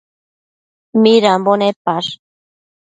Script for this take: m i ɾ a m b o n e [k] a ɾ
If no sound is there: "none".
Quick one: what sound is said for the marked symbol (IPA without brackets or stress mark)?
p